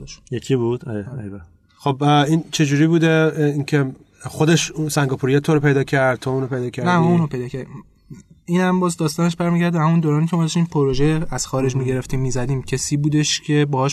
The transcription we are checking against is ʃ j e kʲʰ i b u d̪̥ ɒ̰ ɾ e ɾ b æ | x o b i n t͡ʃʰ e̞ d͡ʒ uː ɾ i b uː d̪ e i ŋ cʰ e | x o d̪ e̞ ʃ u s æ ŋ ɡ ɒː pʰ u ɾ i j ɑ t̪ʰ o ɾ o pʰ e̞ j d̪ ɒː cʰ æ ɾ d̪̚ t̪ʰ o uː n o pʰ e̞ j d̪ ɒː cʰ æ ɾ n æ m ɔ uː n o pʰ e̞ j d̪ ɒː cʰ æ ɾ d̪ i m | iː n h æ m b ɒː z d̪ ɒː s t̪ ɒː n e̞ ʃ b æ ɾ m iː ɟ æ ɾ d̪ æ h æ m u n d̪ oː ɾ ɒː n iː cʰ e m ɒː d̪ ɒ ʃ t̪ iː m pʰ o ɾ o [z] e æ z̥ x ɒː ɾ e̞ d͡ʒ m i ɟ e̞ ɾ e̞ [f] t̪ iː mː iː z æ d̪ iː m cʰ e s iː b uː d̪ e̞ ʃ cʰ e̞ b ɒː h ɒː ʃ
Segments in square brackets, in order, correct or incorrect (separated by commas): incorrect, correct